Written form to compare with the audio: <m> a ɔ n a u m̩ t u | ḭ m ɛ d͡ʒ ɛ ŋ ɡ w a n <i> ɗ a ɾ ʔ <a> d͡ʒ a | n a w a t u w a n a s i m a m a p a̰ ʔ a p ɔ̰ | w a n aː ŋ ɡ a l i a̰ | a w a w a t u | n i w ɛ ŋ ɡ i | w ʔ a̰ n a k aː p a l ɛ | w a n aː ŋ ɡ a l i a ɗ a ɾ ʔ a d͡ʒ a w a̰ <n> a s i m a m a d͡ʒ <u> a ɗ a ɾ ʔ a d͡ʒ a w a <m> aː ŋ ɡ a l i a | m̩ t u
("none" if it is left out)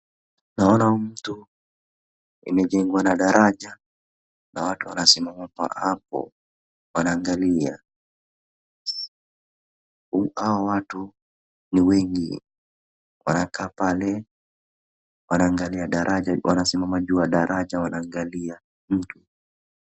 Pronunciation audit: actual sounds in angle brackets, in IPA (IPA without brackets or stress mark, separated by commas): n, a, a, n, u, n